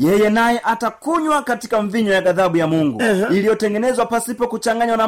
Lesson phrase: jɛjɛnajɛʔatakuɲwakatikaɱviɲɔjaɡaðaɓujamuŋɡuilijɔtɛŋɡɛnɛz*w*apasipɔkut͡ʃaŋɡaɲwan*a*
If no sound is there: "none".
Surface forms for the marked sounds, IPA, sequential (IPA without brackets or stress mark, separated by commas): w, a